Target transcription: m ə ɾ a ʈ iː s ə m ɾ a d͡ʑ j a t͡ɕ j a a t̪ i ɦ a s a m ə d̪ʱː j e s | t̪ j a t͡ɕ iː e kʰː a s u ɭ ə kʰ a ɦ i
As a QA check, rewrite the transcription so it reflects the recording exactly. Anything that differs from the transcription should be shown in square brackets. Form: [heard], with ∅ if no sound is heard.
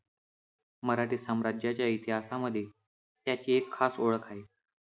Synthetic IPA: m ə ɾ a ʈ iː s ə m ɾ a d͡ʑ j a t͡ɕ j a [i] t̪ i ɦ a s a m ə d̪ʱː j e [∅] | t̪ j a t͡ɕ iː e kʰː a s [o] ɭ ə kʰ a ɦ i